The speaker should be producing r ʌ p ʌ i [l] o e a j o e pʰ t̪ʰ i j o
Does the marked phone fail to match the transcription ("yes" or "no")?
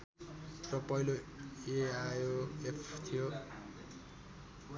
no